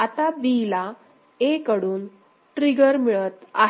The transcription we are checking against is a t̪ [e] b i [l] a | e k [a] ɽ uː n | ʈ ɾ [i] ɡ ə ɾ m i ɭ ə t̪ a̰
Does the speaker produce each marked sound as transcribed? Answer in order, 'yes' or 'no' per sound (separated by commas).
no, yes, no, yes